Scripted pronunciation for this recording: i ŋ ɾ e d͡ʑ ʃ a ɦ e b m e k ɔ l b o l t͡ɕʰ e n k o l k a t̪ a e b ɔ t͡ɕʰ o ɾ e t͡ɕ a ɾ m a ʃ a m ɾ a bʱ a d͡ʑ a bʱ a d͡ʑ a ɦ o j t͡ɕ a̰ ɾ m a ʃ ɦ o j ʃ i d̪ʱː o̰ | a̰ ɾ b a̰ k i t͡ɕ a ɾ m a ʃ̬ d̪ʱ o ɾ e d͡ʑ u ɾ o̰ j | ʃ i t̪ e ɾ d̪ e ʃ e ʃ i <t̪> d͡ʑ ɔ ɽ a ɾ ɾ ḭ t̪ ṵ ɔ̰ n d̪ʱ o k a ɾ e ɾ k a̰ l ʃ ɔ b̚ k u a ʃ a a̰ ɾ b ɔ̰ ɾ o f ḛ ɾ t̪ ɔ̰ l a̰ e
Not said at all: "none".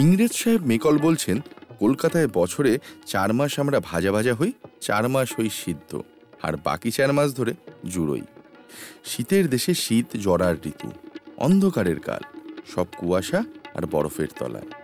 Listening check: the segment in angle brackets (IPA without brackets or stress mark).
t̪